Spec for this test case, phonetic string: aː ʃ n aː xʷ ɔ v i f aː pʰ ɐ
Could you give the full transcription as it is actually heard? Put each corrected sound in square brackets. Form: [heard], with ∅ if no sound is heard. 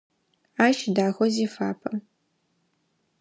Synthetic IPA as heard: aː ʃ [d] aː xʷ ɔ [z] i f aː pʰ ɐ